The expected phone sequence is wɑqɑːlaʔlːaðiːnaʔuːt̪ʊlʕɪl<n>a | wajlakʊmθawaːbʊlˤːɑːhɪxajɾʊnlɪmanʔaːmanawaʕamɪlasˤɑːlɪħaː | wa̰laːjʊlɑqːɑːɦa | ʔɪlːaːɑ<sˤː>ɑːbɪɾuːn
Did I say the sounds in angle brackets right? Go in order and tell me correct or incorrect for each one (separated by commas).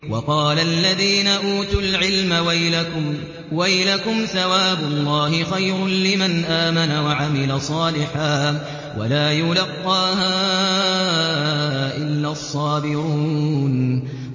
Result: incorrect, correct